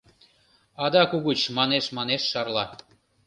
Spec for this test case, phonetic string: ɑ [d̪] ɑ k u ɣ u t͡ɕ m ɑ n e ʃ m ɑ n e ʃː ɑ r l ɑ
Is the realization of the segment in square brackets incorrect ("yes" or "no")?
no